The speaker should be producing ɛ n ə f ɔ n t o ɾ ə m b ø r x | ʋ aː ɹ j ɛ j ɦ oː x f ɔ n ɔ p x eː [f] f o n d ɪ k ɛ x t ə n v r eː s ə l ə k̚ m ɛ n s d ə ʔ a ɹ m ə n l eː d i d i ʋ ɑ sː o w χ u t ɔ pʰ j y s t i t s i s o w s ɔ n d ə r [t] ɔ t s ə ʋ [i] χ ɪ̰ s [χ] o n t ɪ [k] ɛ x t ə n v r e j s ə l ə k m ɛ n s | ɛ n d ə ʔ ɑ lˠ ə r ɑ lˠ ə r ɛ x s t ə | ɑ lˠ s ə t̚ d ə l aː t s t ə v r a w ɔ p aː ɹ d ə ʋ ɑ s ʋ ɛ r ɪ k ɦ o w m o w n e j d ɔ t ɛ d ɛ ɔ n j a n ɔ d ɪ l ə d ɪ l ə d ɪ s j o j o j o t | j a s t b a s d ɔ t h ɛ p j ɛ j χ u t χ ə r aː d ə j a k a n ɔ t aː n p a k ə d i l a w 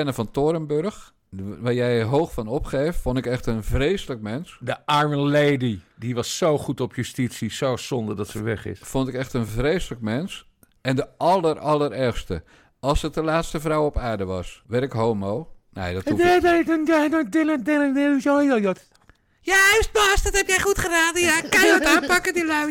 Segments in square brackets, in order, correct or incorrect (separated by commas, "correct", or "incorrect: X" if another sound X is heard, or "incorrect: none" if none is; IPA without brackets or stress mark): correct, incorrect: d, incorrect: ɛ, incorrect: f, correct